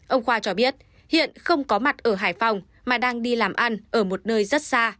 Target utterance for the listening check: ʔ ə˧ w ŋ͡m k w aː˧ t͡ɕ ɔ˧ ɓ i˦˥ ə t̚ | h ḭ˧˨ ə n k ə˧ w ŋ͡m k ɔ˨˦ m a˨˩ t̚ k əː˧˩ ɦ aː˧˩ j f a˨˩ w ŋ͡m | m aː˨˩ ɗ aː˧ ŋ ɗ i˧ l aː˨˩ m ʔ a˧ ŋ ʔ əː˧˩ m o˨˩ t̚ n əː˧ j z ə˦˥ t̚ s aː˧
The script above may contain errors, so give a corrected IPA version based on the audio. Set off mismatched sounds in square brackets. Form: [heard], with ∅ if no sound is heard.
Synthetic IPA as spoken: ʔ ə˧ w ŋ͡m [x] w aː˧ t͡ɕ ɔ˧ ɓ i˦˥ ə t̚ | h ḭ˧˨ ə n [x] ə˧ w ŋ͡m k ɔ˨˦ m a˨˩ t̚ [ʔ] əː˧˩ ɦ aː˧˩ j f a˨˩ w ŋ͡m | m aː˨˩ ɗ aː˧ ŋ ɗ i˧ l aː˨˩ m ʔ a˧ [n] ʔ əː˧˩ m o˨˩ t̚ n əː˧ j z ə˦˥ t̚ s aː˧